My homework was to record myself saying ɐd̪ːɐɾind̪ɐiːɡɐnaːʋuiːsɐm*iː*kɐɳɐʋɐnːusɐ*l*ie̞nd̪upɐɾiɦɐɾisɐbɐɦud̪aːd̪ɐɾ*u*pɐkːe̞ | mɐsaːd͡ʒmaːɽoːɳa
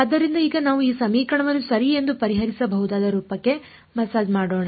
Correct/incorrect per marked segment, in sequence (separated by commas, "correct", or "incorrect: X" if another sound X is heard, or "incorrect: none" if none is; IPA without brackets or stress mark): correct, incorrect: ɾ, incorrect: uː